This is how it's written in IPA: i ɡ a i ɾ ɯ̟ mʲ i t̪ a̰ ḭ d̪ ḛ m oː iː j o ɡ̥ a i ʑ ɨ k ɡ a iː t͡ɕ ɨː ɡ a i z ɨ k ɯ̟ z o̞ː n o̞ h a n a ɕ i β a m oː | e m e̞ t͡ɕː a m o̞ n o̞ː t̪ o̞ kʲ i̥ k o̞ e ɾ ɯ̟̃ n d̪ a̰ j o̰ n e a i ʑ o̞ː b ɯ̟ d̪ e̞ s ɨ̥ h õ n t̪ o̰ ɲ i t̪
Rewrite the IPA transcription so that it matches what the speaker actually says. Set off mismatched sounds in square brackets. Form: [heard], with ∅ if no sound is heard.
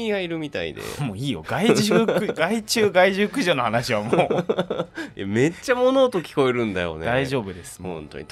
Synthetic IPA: i ɡ a i ɾ ɯ̟ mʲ i t̪ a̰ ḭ d̪ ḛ m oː iː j o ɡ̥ a i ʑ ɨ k ɡ a [i] t͡ɕ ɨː ɡ a i [ʑ] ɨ k ɯ̟ [ʑ] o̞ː n o̞ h a n a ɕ i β a m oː | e m e̞ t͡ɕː a m o̞ n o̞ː t̪ o̞ kʲ i̥ k o̞ e ɾ ɯ̟̃ n d̪ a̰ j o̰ n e a i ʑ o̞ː b ɯ̟ d̪ e̞ s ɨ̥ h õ n t̪ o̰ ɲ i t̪